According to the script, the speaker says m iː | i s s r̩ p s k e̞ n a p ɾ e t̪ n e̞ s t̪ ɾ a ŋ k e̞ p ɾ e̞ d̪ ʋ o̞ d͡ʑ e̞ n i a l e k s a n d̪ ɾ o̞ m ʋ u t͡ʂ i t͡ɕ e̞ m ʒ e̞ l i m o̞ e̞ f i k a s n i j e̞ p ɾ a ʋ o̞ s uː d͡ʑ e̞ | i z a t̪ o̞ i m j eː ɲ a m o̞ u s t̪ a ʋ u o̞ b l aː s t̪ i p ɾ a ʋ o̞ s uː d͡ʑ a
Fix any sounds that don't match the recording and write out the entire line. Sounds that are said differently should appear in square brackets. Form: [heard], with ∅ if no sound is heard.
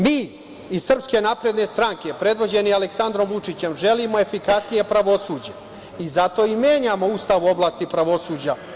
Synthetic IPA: m iː | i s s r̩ p s k e̞ n a p ɾ e [d̪] n e̞ s t̪ ɾ a ŋ k e̞ p ɾ e̞ d̪ ʋ o̞ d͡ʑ e̞ n i a l e k s a n d̪ ɾ o̞ m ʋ u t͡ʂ i t͡ɕ e̞ m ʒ e̞ l i m o̞ e̞ f i k a s n i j e̞ p ɾ a ʋ o̞ s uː d͡ʑ e̞ | i z a t̪ o̞ i m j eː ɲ a m o̞ u s t̪ a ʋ u o̞ b l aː s t̪ i p ɾ a ʋ o̞ s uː d͡ʑ a

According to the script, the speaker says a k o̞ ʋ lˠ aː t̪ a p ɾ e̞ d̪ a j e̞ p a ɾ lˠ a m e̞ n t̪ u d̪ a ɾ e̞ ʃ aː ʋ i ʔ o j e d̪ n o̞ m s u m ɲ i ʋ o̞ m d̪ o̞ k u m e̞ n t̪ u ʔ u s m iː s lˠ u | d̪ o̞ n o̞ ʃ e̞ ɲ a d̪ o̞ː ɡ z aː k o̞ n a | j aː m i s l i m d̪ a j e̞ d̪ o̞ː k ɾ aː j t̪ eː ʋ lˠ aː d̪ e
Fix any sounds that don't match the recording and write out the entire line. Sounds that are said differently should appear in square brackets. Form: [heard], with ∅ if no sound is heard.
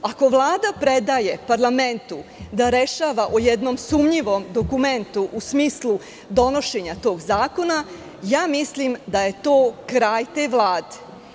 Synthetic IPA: a k o̞ ʋ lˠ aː [d̪] a p ɾ e̞ d̪ a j e̞ p a ɾ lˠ a m e̞ n t̪ u d̪ a ɾ e̞ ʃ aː ʋ [a] ʔ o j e d̪ n o̞ m s u m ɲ i ʋ o̞ m d̪ o̞ k u m e̞ n t̪ u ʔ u s m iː s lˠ u | d̪ o̞ n o̞ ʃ e̞ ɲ a [t̪] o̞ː ɡ z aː k o̞ n a | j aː m i s l i m d̪ a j e̞ [t̪] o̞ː k ɾ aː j t̪ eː ʋ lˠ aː d̪ e

